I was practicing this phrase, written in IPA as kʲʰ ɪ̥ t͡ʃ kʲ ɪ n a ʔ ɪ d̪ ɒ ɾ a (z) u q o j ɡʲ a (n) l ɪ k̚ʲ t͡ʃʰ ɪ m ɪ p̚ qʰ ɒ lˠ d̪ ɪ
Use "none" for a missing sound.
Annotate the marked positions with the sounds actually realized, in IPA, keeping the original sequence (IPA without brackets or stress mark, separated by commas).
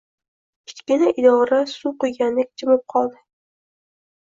s, n